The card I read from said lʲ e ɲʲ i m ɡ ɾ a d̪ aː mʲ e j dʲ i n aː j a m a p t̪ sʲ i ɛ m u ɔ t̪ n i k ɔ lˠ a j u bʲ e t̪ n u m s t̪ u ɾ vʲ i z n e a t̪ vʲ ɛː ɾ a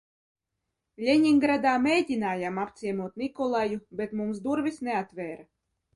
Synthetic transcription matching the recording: lʲ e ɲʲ i ŋ ɡ ɾ a d̪ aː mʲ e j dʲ i n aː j a m a p t̪ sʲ i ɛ m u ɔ t̪ n i k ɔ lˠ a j u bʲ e t̪ m u m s d̪ u ɾ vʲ i s n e a t̪ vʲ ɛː ɾ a